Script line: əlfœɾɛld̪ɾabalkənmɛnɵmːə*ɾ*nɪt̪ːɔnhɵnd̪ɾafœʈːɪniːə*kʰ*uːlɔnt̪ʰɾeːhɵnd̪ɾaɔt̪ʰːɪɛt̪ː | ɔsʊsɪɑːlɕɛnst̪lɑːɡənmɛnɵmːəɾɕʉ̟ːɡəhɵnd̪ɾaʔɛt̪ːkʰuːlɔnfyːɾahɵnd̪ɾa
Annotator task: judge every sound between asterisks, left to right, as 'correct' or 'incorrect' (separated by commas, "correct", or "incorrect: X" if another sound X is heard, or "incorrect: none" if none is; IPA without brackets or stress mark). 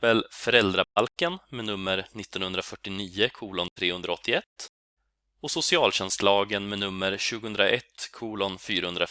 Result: correct, correct